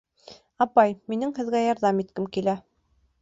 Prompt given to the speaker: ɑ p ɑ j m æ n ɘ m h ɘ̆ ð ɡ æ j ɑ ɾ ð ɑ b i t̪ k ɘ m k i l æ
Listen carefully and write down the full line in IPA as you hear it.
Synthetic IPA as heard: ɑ p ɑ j m i n ɘ ŋ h ɘ̆ ð ɡ æ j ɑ ɾ ð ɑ m i t̪ k ɘ m k i l æ